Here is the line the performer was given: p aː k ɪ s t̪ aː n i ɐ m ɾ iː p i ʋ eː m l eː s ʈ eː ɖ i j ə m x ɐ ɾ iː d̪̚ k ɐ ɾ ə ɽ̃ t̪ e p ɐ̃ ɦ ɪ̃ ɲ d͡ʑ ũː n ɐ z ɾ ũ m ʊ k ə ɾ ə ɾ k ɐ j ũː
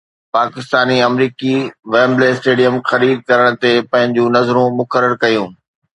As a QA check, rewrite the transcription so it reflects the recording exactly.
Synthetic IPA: p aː k ɪ s t̪ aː n i ɐ m ɾ iː k i ʋ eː m l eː s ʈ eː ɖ i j ə m x ɐ ɾ iː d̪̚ k ɐ ɾ ə ɽ̃ t̪ e p ɐ̃ ɦ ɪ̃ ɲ d͡ʑ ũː n ɐ z ɾ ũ m ʊ k ə ɾ ə ɾ k ɐ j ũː